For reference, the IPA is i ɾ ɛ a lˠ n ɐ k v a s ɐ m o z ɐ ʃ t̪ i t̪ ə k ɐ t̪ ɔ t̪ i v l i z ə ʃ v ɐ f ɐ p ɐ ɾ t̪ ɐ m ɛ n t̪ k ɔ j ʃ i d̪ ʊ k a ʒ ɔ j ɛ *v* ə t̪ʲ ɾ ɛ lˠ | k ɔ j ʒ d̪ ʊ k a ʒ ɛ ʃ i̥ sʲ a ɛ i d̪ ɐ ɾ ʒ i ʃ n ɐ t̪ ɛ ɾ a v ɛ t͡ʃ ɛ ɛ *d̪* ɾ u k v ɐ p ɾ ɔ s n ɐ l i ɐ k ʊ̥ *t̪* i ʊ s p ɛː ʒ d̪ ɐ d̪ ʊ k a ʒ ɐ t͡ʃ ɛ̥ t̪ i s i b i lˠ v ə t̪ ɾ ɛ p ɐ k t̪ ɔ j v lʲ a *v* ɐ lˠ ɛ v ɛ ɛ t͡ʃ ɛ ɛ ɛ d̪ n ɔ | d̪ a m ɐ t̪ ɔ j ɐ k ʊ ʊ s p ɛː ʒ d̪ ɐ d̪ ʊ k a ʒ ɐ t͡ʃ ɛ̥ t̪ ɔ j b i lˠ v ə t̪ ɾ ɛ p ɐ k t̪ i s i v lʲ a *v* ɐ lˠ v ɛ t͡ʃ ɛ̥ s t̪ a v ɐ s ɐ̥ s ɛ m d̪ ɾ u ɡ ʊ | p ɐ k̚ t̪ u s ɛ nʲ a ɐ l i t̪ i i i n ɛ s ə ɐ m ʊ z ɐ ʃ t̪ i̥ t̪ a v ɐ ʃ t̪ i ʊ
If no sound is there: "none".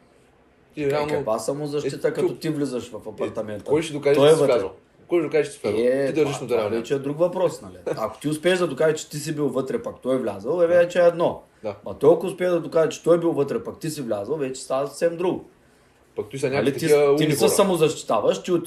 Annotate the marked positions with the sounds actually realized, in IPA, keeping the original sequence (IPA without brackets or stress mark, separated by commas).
v, d̪, t̪, z, z